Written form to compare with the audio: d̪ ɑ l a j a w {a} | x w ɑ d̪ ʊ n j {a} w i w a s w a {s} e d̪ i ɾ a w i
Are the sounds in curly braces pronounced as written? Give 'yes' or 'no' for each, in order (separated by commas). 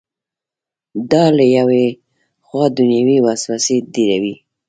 no, yes, yes